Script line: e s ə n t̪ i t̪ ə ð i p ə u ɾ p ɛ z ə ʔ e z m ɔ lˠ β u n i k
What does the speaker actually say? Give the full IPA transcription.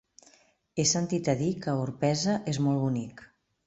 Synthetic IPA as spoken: e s ə n t̪ i t̪ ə ð i k ə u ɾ p ɛ z ə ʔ e z m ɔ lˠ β u n i k